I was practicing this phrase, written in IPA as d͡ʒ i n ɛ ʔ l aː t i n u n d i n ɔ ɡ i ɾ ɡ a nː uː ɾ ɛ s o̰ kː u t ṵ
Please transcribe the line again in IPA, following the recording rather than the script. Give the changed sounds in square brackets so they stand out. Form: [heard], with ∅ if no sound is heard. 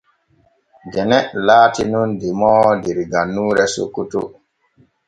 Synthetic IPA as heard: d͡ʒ [ɛ] n ɛ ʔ l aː t i n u n d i [m] ɔ [d] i ɾ ɡ a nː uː ɾ ɛ s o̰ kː u t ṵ